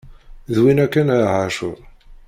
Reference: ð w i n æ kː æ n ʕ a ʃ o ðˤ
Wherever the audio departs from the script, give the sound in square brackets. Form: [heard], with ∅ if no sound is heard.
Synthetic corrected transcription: ð w i n æ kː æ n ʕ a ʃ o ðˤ